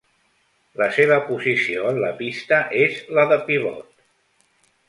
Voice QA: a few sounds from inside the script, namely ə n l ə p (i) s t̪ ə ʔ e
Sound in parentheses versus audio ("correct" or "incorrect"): correct